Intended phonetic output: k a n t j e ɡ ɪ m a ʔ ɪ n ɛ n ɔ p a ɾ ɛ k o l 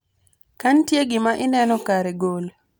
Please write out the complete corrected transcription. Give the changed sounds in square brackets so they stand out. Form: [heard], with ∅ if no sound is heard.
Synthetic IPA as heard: k a n t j e ɡ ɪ m a ʔ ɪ n ɛ n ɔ [k] a ɾ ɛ [ɡ] o l